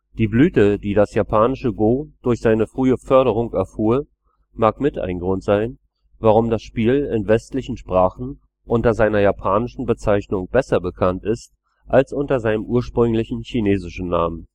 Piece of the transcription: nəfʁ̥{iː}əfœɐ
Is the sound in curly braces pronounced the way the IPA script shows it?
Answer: no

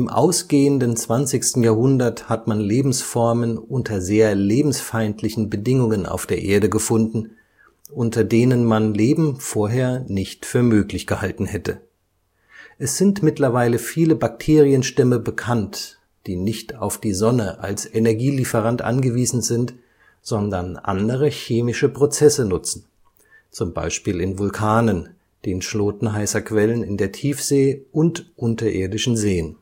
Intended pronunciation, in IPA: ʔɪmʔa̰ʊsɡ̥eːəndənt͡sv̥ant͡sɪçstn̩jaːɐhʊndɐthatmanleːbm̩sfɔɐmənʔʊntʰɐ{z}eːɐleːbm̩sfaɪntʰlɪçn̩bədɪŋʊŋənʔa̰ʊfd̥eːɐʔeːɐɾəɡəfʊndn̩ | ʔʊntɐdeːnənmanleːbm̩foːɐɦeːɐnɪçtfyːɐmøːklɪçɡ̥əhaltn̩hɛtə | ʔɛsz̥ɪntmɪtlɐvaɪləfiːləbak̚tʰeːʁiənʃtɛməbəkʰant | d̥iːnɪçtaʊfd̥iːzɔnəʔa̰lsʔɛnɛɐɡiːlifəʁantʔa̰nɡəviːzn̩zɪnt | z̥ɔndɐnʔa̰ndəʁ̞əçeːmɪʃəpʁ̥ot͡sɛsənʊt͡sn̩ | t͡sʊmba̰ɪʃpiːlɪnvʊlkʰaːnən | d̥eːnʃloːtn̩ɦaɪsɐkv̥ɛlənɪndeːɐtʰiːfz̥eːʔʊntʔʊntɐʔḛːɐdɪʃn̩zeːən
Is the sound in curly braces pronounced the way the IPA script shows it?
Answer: yes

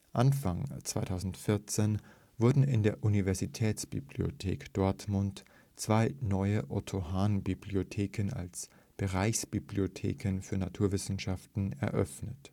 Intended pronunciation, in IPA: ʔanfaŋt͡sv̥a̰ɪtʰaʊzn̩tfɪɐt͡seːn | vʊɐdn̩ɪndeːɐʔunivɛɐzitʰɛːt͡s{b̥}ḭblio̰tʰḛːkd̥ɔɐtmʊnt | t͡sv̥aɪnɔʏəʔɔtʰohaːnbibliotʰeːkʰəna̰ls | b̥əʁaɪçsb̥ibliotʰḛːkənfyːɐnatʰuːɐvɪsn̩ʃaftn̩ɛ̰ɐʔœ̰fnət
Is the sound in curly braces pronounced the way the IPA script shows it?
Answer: yes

